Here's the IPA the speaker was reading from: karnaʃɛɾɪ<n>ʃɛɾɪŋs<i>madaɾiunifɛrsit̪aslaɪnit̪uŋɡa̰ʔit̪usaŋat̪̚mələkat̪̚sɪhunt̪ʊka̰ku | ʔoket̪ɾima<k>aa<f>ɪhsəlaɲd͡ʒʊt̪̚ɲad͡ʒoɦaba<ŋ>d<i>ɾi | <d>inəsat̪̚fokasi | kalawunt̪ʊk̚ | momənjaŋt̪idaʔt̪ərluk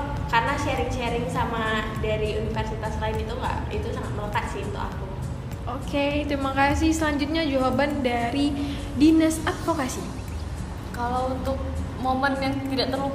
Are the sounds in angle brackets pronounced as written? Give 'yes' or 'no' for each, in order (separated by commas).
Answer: no, no, yes, no, no, no, yes